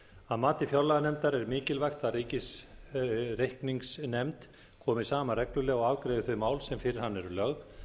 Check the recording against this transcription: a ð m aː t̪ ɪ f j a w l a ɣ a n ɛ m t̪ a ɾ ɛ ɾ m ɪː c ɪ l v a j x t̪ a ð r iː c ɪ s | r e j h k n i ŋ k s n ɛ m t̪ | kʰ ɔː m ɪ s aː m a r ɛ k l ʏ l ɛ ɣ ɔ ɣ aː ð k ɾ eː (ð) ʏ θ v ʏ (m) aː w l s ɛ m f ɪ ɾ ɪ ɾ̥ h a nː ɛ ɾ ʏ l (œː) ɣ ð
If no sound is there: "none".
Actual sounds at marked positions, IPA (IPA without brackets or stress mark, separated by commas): ð, m, œ